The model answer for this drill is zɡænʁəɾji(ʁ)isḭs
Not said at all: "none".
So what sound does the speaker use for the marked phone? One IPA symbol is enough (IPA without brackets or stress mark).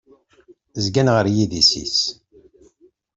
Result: ð